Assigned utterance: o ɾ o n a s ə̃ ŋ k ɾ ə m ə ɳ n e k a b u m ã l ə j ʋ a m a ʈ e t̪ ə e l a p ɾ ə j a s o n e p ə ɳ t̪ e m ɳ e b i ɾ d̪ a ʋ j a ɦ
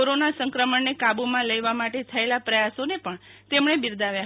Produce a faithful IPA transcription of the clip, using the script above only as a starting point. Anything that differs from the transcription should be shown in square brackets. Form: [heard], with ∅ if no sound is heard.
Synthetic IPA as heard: o ɾ o n a s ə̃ ŋ k ɾ ə m ə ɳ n e k a b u m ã l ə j ʋ a m a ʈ e [t̪ʰ] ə e l a p ɾ ə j a s o n e p ə ɳ t̪ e m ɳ e b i ɾ d̪ a ʋ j a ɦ

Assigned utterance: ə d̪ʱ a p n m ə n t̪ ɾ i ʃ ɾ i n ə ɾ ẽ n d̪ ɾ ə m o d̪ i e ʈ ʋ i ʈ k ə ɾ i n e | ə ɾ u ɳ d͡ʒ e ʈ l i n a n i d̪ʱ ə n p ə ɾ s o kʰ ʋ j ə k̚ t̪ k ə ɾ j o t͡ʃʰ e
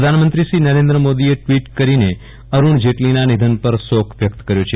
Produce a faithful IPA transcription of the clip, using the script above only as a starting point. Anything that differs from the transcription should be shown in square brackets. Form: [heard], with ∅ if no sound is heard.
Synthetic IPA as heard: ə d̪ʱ a [∅] n m ə n t̪ ɾ i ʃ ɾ i n ə ɾ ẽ n d̪ ɾ ə m o d̪ i e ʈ ʋ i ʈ k ə ɾ i n e | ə ɾ u ɳ d͡ʒ e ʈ l i n a n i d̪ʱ ə n p ə ɾ s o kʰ ʋ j ə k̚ t̪ k ə ɾ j o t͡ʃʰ e

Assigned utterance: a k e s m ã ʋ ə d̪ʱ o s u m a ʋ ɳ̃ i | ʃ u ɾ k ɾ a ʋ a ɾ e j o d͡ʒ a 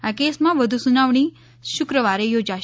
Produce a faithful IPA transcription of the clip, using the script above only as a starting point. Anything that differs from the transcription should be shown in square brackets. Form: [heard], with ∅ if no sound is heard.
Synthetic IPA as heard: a k e s m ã ʋ ə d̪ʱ [u] s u [n] a ʋ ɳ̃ i | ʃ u [∅] k ɾ [ə] ʋ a ɾ e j o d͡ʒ a

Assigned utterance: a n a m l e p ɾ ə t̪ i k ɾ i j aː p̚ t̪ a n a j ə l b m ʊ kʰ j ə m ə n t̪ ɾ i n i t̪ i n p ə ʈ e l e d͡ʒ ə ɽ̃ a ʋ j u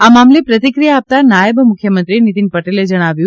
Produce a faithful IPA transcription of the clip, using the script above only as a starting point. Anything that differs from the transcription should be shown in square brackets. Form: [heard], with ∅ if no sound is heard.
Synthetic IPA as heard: a [m] a m l e p ɾ ə t̪ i k ɾ i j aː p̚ t̪ a n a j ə [∅] b m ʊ kʰ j ə m ə n t̪ ɾ i n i t̪ i n p ə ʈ e l e d͡ʒ ə ɽ̃ a ʋ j u

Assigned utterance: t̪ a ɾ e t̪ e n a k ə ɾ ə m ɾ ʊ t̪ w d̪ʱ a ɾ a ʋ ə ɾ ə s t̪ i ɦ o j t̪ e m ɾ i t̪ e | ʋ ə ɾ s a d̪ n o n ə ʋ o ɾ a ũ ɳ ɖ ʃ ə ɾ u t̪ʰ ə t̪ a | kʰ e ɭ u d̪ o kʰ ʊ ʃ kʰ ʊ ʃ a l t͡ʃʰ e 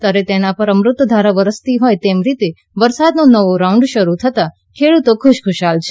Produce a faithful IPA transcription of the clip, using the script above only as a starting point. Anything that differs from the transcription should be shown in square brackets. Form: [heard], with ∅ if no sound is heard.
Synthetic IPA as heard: t̪ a ɾ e t̪ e n a [p] ə ɾ ə m ɾ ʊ t̪ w d̪ʱ a ɾ a ʋ ə ɾ ə s t̪ i ɦ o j t̪ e m ɾ i t̪ e | ʋ ə ɾ s a d̪ n o n ə ʋ o ɾ a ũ ɳ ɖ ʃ ə ɾ u t̪ʰ ə t̪ a | kʰ e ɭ u [t̪] o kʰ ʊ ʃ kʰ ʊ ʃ a l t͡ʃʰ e

